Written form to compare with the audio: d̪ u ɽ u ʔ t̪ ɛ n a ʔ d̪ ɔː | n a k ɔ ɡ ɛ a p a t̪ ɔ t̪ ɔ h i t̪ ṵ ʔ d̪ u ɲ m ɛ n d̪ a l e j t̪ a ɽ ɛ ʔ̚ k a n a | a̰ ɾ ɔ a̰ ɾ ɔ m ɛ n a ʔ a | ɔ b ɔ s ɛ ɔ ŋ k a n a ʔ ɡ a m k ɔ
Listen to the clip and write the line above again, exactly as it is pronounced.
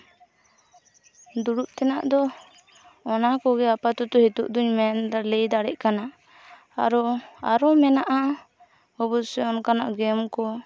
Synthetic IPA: d̪ u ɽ u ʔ t̪ ɛ n a ʔ d̪ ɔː | n a k ɔ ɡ ɛ a p a t̪ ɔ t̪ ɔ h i t̪ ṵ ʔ d̪ u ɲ m ɛ n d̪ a l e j d̪ a ɽ ɛ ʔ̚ k a n a | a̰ ɾ ɔ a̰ ɾ ɔ m ɛ n a ʔ a | ɔ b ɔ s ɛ ɔ n k a n a ʔ ɡ ɛ m k ɔ